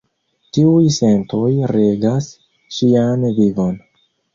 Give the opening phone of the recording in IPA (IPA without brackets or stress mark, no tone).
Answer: t